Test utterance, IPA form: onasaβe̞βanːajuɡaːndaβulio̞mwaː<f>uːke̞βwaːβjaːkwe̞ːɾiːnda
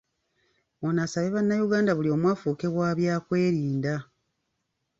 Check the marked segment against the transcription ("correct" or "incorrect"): correct